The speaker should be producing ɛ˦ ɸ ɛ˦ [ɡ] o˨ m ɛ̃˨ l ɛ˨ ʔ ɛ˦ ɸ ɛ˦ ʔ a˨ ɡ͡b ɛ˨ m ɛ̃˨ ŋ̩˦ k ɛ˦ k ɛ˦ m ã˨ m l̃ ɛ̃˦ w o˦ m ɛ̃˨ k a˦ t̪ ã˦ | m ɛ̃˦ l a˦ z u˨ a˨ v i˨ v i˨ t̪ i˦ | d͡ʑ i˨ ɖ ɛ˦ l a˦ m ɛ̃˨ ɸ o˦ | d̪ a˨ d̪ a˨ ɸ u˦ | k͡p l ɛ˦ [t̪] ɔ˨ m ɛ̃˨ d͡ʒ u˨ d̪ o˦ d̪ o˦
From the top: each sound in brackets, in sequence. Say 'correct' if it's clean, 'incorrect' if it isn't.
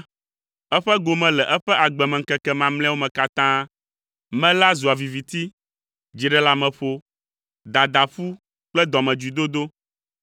correct, incorrect: d̪

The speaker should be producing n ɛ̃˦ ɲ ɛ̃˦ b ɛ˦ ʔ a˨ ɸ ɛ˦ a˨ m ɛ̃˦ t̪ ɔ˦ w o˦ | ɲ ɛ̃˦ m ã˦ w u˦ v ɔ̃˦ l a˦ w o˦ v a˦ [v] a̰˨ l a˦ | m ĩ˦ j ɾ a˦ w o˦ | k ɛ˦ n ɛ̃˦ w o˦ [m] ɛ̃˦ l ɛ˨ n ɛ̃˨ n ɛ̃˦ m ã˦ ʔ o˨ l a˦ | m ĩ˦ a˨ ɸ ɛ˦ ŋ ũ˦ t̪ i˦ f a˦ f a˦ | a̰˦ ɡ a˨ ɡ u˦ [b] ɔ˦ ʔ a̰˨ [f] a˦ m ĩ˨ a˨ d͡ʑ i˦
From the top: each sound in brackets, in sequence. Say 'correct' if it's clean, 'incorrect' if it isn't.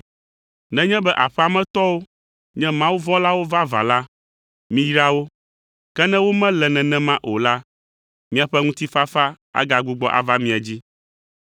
correct, correct, incorrect: ɡ͡b, incorrect: v

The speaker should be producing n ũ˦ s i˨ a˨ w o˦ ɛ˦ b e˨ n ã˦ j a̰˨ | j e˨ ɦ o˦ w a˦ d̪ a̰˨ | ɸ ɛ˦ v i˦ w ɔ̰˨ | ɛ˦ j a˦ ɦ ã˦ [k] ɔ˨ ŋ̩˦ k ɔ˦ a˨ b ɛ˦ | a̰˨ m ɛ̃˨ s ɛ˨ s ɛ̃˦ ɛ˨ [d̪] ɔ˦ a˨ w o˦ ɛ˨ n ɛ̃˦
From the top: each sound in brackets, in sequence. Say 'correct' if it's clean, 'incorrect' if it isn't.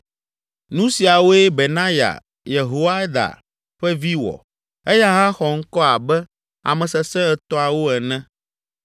incorrect: x, incorrect: t̪

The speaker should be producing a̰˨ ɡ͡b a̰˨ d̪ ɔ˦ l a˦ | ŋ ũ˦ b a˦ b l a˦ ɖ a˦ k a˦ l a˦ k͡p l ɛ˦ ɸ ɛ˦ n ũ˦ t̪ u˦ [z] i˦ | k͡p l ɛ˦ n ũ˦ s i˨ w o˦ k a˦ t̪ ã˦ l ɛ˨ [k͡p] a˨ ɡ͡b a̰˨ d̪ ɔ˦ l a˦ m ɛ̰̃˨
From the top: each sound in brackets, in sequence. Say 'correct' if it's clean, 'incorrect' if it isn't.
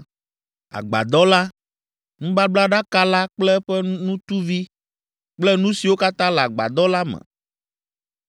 incorrect: v, incorrect: none

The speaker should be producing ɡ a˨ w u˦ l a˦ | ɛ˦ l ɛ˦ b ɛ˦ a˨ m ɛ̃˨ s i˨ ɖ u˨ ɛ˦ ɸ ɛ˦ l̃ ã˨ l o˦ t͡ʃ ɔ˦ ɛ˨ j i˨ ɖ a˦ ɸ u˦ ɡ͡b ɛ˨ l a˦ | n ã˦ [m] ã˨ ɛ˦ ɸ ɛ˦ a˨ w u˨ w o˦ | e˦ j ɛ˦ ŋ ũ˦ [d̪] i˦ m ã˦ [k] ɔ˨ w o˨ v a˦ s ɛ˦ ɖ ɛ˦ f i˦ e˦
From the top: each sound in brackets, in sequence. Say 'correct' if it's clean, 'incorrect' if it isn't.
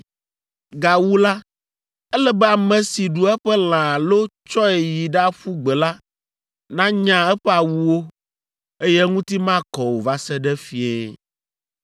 incorrect: ɲ, incorrect: t̪, correct

